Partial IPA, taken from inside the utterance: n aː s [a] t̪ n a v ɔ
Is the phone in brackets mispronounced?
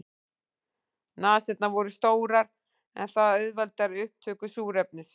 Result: yes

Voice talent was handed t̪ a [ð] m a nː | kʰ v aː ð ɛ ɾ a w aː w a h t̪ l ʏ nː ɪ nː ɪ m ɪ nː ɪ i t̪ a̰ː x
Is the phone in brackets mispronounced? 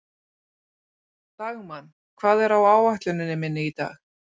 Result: yes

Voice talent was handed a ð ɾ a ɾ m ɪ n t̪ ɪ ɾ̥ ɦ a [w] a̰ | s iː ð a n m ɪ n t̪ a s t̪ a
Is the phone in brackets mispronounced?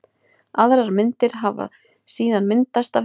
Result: yes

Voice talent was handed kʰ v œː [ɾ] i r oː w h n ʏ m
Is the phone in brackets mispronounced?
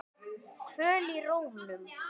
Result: yes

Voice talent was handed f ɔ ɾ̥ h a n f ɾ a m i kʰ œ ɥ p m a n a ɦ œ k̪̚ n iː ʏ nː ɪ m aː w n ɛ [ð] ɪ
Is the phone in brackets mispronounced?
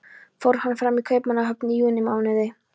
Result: no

